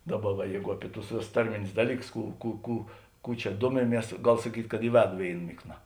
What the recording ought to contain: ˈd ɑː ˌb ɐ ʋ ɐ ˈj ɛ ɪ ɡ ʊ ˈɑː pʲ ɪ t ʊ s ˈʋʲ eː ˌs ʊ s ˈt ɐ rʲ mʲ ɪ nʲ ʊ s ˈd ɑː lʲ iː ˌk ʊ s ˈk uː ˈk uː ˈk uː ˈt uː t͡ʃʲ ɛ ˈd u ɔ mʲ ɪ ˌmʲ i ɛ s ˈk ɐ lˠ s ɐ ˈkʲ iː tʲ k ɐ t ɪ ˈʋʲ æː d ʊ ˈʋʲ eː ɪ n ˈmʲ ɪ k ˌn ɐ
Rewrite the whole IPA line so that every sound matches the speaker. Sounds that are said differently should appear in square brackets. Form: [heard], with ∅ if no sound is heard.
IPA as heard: ˈd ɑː ˌb ɐ ʋ ɐ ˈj ɛ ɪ ɡ ʊ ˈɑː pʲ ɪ t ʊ s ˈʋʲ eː ˌs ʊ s ˈt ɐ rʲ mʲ ɪ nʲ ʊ s ˈd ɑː lʲ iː ˌk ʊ s ˈk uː ˈk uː ˈk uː [ˈk] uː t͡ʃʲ ɛ ˈd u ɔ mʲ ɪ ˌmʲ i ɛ s [ˈɡ] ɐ lˠ s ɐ ˈkʲ iː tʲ k ɐ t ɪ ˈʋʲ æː d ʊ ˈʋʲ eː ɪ n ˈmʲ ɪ k ˌn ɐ

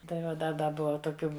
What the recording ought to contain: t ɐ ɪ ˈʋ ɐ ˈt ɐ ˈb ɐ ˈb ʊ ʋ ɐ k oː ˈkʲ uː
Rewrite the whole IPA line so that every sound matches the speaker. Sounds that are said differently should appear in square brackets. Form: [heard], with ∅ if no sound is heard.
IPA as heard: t ɐ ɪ ˈʋ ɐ [ˈd] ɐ [ˈd] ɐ ˈb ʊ ʋ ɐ [t] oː ˈkʲ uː

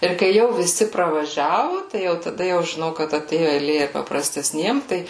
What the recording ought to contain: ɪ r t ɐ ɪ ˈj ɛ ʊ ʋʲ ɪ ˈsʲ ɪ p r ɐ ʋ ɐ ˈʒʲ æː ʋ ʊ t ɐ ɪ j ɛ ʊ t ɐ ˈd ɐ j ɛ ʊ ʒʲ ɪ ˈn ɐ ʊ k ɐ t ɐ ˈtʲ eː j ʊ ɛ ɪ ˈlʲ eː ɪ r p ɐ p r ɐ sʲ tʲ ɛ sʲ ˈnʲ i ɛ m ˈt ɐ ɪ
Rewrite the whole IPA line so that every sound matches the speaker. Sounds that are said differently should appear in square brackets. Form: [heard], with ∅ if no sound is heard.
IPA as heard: ɪ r [k] ɐ ɪ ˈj ɛ ʊ ʋʲ ɪ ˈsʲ ɪ p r ɐ ʋ ɐ ˈʒʲ æː ʋ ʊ t ɐ ɪ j ɛ ʊ t ɐ ˈd ɐ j ɛ ʊ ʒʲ ɪ ˈn ɐ ʊ k ɐ t ɐ ˈtʲ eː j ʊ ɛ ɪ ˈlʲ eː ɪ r p ɐ p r ɐ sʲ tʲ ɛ sʲ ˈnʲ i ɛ m ˈt ɐ ɪ

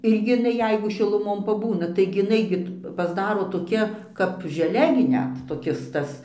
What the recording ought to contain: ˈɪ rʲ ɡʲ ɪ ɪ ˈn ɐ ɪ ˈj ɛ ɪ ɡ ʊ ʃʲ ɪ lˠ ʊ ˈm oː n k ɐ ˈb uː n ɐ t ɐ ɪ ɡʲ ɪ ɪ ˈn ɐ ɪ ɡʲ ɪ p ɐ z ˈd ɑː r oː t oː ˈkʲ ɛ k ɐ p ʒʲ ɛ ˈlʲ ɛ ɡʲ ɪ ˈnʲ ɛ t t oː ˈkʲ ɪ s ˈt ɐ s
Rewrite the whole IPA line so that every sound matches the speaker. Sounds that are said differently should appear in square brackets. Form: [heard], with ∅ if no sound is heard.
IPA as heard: ˈɪ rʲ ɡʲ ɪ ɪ ˈn ɐ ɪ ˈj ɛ ɪ ɡ ʊ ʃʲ ɪ lˠ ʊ ˈm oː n [p] ɐ ˈb uː n ɐ t ɐ ɪ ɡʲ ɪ ɪ ˈn ɐ ɪ ɡʲ ɪ p ɐ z ˈd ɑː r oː t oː ˈkʲ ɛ k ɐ p ʒʲ ɛ ˈlʲ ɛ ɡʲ ɪ ˈnʲ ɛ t t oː ˈkʲ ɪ s ˈt ɐ s

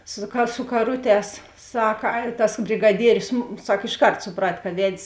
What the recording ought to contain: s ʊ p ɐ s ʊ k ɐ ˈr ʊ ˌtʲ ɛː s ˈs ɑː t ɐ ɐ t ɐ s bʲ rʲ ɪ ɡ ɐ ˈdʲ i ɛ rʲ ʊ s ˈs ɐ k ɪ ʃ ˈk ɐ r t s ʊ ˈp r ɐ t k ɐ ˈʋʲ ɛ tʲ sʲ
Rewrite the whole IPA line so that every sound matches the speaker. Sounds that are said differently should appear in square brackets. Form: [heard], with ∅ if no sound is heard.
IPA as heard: s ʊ [k] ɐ s ʊ k ɐ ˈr ʊ ˌtʲ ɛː s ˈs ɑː [k] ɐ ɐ t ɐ s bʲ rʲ ɪ ɡ ɐ ˈdʲ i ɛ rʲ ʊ s ˈs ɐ k ɪ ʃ ˈk ɐ r t s ʊ ˈp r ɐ t k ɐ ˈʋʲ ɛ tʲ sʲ

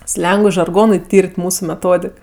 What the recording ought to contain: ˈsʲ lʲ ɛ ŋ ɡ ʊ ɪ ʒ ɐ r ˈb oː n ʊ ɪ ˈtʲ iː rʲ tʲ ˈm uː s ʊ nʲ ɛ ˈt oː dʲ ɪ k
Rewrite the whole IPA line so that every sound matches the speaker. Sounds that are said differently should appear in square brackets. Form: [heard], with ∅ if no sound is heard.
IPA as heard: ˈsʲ lʲ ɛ ŋ ɡ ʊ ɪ ʒ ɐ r [ˈɡ] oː n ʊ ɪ ˈtʲ iː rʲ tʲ ˈm uː s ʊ [mʲ] ɛ ˈt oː dʲ ɪ k

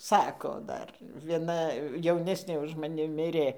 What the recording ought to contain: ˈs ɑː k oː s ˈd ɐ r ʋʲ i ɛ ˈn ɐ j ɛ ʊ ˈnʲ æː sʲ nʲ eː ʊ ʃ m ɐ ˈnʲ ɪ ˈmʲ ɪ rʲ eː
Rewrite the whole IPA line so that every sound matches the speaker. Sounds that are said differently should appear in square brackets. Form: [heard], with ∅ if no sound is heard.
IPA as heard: ˈs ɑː k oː [∅] ˈd ɐ r ʋʲ i ɛ ˈn ɐ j ɛ ʊ ˈnʲ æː sʲ nʲ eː ʊ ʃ m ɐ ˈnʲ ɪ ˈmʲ ɪ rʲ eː

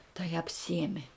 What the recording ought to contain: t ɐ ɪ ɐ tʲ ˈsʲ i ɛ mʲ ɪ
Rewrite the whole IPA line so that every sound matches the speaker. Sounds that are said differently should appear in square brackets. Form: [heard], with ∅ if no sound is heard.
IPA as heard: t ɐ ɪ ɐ [pʲ] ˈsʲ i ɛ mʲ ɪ

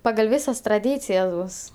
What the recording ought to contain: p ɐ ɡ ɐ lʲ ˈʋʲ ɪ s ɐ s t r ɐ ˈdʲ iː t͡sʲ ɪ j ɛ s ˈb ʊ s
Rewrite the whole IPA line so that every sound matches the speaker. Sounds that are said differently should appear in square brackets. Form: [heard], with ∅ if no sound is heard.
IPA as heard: p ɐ ɡ ɐ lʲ ˈʋʲ ɪ s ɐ s t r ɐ ˈdʲ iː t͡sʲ ɪ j ɛ s ˈb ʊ s

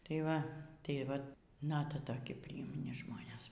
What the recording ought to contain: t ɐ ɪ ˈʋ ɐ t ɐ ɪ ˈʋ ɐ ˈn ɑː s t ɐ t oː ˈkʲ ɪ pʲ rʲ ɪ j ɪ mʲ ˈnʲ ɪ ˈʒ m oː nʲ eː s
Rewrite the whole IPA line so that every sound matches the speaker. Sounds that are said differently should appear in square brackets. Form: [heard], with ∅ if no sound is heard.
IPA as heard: t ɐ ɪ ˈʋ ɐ t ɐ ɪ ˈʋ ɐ ˈn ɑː [∅] t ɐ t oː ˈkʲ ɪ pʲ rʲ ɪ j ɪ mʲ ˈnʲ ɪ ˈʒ m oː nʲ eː s

